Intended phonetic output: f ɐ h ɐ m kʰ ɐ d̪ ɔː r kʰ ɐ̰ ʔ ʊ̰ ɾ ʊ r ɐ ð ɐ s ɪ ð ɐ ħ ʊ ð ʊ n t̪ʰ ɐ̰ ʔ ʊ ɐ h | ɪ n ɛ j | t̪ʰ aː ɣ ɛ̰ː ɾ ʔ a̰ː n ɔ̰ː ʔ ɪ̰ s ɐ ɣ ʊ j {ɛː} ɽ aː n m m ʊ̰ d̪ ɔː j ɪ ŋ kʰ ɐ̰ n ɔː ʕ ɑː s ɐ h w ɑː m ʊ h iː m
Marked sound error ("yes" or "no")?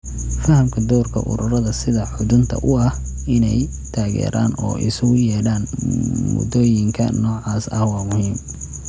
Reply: no